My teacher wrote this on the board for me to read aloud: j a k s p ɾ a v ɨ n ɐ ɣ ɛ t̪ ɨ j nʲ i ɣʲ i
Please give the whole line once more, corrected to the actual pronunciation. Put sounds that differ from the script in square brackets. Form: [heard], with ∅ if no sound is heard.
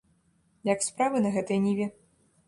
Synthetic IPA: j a k s p ɾ a v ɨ n ɐ ɣ ɛ t̪ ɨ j nʲ i [vʲ] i